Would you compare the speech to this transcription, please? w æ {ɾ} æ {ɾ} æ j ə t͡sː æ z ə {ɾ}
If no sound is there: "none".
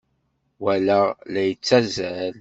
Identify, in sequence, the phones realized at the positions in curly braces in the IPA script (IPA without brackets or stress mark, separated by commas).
l, l, l